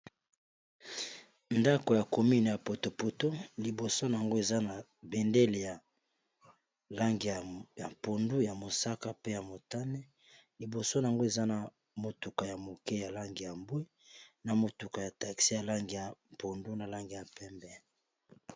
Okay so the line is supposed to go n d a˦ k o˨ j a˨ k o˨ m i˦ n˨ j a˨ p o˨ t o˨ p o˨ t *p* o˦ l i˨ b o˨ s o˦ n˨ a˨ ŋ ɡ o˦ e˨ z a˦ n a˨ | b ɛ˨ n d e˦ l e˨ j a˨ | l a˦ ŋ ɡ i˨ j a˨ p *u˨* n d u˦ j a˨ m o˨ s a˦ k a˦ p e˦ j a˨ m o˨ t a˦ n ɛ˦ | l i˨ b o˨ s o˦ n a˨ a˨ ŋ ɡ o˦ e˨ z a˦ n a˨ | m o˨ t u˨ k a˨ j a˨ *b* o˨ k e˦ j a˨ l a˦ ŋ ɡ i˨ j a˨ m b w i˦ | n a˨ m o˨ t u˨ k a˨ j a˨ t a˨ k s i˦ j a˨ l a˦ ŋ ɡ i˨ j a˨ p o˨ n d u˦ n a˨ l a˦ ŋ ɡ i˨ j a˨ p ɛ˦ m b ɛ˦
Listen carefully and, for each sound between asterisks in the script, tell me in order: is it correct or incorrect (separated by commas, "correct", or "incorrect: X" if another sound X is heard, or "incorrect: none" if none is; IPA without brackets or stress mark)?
correct, incorrect: o˨, incorrect: m